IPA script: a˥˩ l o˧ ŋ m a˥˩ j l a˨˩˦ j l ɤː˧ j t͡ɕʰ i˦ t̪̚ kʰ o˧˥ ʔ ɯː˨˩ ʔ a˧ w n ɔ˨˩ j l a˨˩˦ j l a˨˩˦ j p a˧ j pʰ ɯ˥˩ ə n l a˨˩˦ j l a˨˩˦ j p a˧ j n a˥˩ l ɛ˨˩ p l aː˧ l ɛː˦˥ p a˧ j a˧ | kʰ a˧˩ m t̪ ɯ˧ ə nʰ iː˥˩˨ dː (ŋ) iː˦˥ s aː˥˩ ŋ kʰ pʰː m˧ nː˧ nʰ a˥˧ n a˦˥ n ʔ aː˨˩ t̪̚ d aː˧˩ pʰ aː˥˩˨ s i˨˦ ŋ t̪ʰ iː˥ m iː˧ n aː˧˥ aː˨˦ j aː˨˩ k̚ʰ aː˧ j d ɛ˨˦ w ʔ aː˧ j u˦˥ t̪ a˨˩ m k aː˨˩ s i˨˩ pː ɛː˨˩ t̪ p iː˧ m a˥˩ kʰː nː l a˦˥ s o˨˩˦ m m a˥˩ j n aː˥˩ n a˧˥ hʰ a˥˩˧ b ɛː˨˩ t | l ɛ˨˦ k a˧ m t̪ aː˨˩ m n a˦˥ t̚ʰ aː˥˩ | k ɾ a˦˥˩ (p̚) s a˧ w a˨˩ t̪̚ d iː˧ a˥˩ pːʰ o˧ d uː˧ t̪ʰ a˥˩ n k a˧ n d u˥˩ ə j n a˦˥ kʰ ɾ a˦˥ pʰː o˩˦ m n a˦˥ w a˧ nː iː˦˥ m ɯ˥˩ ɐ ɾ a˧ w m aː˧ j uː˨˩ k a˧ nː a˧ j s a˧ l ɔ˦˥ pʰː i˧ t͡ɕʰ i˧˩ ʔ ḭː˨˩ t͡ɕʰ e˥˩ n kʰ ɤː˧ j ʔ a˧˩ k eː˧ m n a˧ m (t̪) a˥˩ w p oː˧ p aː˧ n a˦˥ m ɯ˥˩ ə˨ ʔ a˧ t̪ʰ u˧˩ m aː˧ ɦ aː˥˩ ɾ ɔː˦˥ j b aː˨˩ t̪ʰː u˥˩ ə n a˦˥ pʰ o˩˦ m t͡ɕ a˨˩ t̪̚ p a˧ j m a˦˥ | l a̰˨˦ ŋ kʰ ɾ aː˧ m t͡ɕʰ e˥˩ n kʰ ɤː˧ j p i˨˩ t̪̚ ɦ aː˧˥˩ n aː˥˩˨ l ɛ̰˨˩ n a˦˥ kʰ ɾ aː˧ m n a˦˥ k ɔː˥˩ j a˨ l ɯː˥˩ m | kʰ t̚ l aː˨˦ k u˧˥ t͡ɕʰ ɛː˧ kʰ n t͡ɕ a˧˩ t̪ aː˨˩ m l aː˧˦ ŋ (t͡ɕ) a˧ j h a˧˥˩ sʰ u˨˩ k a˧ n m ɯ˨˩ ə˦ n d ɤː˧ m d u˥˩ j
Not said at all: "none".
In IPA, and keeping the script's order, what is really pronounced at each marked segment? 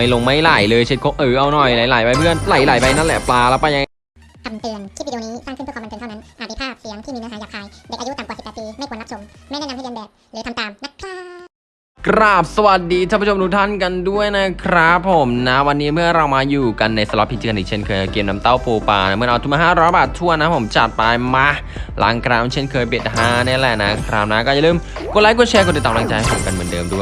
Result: n, p̚, t̪, t͡ɕ

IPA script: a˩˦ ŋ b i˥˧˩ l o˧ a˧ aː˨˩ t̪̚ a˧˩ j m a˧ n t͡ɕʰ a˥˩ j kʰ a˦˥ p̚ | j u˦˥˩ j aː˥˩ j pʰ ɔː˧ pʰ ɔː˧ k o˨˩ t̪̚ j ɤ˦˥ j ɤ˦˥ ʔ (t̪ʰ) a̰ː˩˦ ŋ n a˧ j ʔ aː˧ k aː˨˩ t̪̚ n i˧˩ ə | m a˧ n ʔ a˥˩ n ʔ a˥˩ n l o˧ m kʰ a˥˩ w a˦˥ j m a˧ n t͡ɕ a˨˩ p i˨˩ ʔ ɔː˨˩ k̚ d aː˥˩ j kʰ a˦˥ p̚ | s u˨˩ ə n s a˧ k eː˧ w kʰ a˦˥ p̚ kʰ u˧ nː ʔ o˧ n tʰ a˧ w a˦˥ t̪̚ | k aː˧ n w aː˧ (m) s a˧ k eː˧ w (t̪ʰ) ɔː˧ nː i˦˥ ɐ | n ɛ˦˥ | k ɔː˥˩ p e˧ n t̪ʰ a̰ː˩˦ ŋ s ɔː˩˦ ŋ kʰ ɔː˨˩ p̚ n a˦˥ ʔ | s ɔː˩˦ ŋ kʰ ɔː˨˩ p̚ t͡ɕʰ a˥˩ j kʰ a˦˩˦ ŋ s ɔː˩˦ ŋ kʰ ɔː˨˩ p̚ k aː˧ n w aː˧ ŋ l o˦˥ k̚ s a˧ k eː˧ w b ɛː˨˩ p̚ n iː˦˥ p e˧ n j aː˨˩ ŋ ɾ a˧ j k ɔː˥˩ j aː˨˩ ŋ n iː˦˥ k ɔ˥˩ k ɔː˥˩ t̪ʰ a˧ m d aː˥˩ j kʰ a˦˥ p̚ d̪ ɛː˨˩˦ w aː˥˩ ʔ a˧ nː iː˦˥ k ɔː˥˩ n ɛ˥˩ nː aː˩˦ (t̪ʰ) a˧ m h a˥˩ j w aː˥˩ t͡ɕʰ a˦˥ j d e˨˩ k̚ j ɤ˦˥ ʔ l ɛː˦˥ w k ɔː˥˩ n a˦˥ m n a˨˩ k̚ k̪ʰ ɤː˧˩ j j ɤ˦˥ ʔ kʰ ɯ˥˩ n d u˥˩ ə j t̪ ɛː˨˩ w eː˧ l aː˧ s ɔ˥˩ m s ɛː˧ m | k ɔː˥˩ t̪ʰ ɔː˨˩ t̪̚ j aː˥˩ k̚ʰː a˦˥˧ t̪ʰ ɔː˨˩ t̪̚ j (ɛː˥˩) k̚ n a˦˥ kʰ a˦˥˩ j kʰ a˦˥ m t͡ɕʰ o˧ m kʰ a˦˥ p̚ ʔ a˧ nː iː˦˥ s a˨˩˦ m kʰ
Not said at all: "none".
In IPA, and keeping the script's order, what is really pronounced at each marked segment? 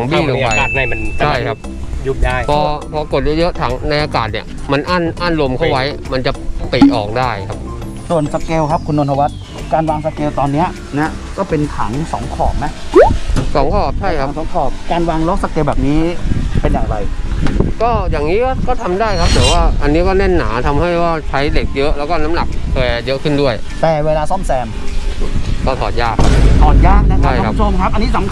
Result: t̪ʰ, ŋ, t̪, t̪ʰ, aː˥˩

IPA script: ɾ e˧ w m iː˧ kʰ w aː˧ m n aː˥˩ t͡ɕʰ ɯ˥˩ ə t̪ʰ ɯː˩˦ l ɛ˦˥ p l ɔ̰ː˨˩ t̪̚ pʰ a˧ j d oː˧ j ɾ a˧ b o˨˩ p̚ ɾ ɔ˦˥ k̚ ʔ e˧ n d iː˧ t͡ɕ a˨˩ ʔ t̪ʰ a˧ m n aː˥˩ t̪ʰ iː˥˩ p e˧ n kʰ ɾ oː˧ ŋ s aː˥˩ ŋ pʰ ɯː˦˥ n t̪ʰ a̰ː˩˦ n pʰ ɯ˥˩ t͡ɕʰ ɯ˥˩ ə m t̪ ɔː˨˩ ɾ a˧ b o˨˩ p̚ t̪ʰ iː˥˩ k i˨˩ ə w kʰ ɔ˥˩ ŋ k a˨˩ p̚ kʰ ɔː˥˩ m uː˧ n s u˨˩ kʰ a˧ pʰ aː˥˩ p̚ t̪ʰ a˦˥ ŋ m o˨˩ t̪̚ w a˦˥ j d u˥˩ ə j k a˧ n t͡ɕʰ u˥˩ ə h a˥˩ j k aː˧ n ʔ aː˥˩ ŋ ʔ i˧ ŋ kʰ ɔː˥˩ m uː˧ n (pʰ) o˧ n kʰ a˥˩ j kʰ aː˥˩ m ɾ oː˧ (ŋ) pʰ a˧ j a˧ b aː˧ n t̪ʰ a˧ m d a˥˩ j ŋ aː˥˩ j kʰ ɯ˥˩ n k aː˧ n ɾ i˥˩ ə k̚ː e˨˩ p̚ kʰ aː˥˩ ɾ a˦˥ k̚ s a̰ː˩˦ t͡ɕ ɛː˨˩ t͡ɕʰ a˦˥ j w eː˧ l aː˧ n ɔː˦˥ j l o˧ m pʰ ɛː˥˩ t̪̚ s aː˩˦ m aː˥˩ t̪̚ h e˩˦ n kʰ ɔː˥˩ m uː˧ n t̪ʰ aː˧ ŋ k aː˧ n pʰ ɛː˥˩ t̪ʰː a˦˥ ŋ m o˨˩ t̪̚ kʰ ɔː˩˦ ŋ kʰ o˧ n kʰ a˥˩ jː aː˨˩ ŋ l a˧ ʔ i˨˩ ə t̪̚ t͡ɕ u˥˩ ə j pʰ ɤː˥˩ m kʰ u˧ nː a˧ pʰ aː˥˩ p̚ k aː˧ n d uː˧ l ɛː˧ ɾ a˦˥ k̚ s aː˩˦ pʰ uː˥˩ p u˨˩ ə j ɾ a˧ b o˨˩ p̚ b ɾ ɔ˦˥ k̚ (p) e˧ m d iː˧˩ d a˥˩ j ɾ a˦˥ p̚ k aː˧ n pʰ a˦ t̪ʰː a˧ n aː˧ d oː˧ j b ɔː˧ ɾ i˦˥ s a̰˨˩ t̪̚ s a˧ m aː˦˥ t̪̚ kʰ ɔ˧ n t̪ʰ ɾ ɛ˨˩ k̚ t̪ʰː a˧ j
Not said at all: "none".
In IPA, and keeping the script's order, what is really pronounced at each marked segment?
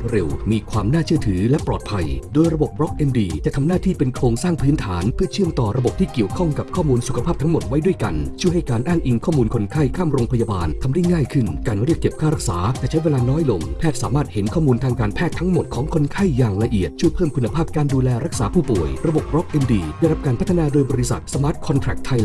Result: kʰ, ŋ, ʔ

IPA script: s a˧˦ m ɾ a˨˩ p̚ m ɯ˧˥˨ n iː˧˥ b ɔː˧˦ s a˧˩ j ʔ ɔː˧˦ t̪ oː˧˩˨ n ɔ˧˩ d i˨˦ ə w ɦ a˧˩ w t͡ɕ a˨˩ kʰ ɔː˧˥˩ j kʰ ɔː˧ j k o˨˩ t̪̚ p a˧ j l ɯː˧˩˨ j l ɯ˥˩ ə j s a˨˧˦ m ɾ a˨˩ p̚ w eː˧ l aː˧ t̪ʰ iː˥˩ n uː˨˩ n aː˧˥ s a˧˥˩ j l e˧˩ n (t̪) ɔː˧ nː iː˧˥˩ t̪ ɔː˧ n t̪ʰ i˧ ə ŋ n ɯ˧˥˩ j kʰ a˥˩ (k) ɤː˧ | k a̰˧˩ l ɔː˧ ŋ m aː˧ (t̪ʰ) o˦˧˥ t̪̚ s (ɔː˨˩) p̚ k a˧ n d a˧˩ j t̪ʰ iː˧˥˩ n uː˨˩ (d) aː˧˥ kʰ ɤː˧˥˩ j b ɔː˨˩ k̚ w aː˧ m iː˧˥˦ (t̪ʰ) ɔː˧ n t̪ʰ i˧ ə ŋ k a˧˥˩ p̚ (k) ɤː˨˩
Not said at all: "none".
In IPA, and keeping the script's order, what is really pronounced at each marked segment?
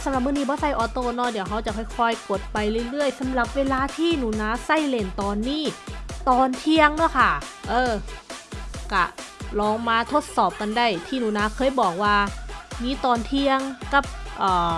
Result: t̪, ʔ, t̪ʰ, ɔː˨˩, n, t̪, ʔ

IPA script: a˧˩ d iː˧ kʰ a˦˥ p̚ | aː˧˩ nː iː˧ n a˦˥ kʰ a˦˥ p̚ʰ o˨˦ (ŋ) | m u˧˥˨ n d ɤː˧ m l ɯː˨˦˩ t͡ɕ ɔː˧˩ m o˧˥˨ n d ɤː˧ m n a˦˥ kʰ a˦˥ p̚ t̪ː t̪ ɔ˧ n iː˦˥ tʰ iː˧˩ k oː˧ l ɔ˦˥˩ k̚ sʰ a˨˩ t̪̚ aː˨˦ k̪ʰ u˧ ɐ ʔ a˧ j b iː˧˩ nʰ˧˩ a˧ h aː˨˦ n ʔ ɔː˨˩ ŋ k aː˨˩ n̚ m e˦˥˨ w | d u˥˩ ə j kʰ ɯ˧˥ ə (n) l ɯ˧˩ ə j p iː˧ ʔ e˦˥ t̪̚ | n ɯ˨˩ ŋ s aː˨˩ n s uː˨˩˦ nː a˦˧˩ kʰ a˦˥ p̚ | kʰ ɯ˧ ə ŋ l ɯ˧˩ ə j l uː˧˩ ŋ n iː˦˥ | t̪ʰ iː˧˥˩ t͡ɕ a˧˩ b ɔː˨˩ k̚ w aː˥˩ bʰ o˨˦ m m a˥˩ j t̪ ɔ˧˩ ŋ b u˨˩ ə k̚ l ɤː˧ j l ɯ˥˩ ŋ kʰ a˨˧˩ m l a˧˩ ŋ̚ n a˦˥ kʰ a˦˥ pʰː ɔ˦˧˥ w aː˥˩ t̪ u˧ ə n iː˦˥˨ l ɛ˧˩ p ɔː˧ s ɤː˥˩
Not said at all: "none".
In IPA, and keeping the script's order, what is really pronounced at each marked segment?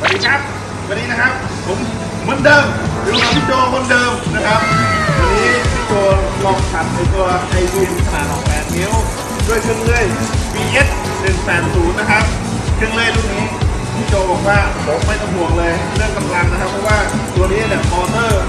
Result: m, ŋ

